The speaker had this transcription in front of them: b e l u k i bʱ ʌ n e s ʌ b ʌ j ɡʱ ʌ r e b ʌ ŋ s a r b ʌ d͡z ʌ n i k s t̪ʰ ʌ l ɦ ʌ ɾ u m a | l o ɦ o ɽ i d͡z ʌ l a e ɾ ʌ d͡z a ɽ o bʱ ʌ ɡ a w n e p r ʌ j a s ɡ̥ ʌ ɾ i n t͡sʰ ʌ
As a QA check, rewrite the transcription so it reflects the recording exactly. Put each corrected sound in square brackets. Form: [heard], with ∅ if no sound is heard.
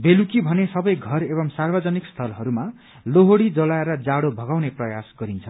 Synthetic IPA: b e l u k i bʱ ʌ n e s ʌ b ʌ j ɡʱ ʌ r e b ʌ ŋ s a r b ʌ d͡z ʌ n i k s t̪ʰ ʌ l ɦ ʌ ɾ u m a | l o ɦ o ɽ i d͡z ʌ l a e ɾ ʌ d͡z a ɽ o bʱ ʌ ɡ a w n e p r ʌ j a s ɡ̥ ʌ ɾ i n t͡sʰ ʌ